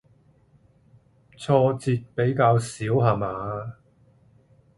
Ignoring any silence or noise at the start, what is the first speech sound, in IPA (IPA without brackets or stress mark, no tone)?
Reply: t͡sʰ